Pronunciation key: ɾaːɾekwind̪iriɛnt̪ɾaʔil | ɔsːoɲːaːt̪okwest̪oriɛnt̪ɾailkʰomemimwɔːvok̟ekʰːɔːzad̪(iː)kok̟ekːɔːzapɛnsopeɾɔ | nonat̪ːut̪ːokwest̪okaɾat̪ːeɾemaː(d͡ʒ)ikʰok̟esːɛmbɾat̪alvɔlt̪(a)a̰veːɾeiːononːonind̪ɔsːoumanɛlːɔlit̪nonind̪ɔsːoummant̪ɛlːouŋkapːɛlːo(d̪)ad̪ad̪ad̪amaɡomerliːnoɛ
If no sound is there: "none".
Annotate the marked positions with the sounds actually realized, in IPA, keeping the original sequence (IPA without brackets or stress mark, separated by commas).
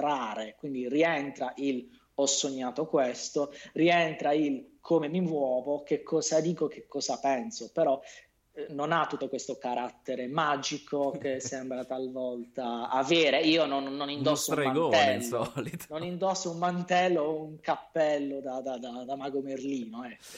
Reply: iː, d͡ʒ, a, d̪